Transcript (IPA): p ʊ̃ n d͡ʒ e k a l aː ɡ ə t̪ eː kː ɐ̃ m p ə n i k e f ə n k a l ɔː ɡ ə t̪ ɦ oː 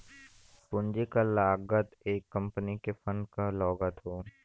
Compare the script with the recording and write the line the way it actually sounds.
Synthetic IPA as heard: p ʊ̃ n d͡ʒ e k a l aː ɡ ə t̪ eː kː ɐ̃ m p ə n i k e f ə n k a l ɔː ɡ ə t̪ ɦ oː